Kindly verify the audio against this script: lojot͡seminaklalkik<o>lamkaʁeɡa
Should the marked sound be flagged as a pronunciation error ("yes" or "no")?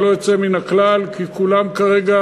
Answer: yes